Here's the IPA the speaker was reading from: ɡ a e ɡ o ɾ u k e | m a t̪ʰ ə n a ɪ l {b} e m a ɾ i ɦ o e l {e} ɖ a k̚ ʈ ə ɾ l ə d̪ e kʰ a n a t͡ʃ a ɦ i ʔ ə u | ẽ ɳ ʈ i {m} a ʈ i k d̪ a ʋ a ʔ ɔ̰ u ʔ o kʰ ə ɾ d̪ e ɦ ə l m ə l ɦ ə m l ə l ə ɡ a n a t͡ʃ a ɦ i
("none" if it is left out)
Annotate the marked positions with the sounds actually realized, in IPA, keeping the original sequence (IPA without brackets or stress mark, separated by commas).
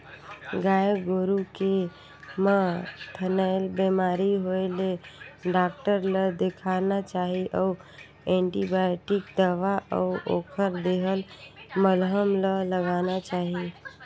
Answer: b, e, b